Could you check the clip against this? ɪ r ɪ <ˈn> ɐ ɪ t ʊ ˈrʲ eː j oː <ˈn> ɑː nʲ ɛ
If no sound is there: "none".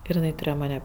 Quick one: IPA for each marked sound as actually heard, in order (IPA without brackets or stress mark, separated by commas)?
n, m